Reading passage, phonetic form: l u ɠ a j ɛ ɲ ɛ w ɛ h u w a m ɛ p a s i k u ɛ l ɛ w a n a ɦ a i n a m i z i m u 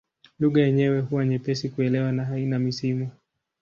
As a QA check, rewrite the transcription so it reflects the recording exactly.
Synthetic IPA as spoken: l u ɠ a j ɛ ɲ ɛ w ɛ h u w a ɲ ɛ p ɛ s i k u ɛ l ɛ w a n a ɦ a i n a m i s i m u